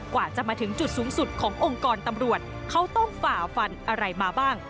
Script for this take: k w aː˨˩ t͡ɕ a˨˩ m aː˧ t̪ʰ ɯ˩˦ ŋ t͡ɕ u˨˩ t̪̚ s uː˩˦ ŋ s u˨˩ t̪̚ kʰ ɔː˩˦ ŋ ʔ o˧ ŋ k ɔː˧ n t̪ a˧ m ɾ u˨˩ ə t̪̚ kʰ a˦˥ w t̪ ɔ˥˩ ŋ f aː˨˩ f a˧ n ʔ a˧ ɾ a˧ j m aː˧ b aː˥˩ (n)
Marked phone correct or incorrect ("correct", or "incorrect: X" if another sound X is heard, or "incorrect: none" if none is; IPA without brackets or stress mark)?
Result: incorrect: ŋ